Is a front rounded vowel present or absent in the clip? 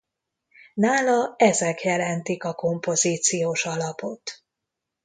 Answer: absent